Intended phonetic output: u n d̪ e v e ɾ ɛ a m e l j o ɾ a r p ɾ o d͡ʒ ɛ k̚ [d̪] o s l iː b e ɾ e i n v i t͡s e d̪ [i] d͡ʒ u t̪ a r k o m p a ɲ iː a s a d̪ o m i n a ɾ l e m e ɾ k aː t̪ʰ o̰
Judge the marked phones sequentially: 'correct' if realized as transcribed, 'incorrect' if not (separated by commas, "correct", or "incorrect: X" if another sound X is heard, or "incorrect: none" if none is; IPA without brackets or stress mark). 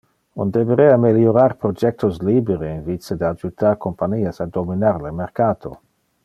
incorrect: t̪, incorrect: a